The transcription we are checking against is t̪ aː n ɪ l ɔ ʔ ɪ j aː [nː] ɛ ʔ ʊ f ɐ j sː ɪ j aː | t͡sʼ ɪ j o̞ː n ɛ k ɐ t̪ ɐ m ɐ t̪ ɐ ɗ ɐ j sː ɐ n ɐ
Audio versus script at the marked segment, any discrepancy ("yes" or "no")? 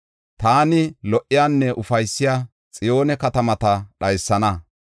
no